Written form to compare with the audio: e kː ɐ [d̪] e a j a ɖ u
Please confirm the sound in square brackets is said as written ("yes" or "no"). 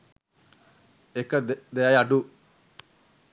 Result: yes